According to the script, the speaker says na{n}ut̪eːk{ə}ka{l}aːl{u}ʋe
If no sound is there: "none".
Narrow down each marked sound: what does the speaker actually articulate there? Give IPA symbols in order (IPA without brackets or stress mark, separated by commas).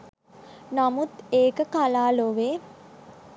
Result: m, ə, l, o